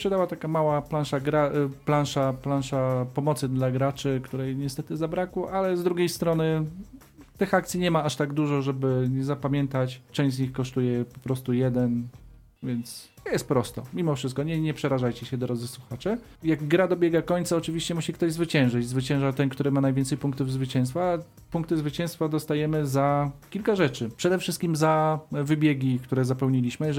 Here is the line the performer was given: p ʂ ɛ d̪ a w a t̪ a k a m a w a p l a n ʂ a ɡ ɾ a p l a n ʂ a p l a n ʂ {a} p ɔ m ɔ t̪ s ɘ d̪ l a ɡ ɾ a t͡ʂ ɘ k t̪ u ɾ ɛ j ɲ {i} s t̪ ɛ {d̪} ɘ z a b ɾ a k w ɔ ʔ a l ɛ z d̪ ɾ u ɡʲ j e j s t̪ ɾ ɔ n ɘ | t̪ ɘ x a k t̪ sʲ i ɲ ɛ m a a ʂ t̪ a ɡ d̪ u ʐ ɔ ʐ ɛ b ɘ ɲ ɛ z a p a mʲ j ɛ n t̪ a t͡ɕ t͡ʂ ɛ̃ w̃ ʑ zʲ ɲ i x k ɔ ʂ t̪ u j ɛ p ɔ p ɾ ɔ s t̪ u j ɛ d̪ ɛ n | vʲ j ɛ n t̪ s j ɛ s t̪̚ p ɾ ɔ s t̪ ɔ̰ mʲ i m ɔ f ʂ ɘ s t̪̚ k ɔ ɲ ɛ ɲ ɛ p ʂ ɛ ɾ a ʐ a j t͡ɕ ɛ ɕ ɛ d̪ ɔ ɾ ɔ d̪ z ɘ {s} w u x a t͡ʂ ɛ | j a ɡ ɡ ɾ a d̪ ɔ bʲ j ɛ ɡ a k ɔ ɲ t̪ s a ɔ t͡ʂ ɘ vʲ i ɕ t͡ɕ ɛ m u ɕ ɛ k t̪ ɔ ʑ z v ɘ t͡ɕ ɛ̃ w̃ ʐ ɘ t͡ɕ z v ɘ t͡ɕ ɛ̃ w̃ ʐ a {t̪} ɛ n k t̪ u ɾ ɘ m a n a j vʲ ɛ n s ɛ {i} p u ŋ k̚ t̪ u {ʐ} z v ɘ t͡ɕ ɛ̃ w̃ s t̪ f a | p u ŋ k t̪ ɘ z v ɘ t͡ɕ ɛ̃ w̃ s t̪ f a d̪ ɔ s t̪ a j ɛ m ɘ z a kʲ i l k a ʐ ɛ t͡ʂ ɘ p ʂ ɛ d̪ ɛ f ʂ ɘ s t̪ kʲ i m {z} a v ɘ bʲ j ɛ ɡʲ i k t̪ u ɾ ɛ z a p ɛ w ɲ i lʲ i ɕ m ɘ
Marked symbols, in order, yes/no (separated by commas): yes, no, no, yes, yes, no, no, yes